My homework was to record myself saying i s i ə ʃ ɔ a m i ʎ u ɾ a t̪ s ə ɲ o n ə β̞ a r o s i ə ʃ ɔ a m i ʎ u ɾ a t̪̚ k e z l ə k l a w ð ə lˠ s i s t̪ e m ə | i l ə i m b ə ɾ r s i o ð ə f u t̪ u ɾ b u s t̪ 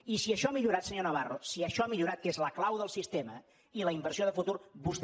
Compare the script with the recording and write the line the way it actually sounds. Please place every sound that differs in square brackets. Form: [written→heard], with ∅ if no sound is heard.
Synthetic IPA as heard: i s i ə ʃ ɔ a m i ʎ u ɾ a t̪ s ə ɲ o n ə β̞ a r o s i ə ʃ ɔ a m i ʎ u ɾ a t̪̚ k e z l ə k l a w ð ə lˠ s i s t̪ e m ə | i l ə i m b ə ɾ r s i o ð ə f u t̪ u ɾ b u s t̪